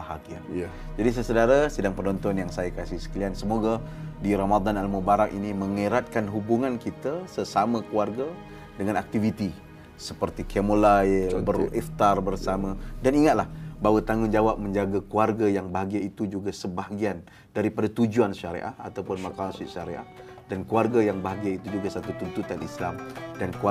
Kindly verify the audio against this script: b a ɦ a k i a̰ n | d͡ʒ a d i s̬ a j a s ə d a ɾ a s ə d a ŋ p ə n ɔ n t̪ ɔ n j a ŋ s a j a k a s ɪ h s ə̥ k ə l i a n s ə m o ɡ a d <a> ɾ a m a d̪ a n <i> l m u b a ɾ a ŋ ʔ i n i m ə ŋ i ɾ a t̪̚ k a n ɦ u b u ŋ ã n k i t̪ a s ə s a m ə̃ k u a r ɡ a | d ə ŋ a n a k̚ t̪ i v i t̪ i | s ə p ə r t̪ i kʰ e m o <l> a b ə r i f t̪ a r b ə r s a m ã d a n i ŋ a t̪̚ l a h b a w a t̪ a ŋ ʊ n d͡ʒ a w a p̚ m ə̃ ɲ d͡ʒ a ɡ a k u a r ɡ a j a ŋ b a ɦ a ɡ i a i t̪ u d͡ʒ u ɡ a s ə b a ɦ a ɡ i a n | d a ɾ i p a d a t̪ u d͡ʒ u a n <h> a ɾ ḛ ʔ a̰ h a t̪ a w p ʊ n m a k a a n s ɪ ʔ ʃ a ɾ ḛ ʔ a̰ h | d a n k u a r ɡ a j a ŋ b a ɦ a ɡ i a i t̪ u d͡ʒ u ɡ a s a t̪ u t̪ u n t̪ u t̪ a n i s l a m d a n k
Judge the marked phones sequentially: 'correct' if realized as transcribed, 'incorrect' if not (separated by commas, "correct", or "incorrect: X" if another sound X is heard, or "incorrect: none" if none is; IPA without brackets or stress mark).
incorrect: i, incorrect: a, correct, incorrect: ʃ